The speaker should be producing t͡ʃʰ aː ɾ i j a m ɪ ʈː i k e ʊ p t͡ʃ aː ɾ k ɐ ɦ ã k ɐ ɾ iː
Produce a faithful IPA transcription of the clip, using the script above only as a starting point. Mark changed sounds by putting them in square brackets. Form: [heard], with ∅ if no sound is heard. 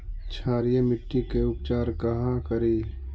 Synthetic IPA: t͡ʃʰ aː ɾ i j [e] m ɪ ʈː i k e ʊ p t͡ʃ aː ɾ k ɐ ɦ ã k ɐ ɾ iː